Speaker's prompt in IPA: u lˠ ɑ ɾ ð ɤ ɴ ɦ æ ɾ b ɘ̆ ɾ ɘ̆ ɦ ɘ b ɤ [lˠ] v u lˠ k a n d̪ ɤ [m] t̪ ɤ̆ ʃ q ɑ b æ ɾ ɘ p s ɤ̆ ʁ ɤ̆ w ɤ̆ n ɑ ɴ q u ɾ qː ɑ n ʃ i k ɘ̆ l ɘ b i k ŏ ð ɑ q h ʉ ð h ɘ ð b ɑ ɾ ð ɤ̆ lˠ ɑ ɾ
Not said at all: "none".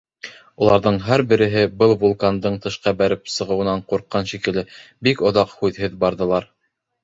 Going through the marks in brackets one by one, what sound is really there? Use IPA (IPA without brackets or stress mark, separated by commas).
lˠ, ɴ